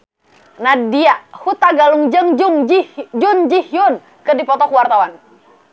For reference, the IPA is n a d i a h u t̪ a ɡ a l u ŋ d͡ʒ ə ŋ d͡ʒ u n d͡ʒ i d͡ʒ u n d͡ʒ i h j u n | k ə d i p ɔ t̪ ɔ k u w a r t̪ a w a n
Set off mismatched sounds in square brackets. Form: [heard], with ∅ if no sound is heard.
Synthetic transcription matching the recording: n a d i a h u t̪ a ɡ a l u ŋ d͡ʒ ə ŋ d͡ʒ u [ŋ] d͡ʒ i d͡ʒ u n d͡ʒ i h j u n | k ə d i p ɔ t̪ ɔ k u w a r t̪ a w a n

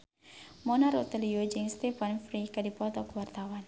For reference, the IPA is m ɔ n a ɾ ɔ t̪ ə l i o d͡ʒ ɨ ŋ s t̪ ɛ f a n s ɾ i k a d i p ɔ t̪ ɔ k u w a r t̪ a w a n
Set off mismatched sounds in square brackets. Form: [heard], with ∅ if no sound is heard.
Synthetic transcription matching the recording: m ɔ n a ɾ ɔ t̪ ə l i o d͡ʒ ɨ ŋ s t̪ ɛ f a n [f] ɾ i k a d i p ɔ t̪ ɔ k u w a r t̪ a w a n

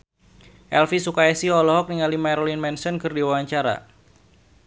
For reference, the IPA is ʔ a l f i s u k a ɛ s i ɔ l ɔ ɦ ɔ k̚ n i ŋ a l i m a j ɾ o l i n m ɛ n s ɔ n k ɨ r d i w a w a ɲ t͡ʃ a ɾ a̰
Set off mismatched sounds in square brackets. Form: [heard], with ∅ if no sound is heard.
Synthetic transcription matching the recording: ʔ [ɛ] l f i s u k a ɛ s i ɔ l ɔ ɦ ɔ k̚ n i ŋ a l i m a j ɾ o l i n m ɛ n s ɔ n k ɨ r d i w a w a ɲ t͡ʃ a ɾ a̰

